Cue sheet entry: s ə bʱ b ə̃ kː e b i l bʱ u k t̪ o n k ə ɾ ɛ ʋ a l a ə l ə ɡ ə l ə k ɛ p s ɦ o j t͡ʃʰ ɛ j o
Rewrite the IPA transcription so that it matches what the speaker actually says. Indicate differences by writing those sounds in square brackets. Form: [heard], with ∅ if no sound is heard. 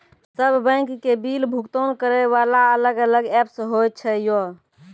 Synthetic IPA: s ə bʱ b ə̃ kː e b i l bʱ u k t̪ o n k ə ɾ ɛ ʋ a l a ə l ə ɡ ə l ə [ɡ] ɛ p s ɦ o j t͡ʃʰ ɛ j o